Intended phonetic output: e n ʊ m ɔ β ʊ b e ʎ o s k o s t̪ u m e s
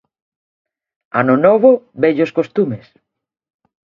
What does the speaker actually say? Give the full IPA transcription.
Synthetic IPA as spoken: a n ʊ n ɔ β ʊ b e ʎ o s k o s t̪ u m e s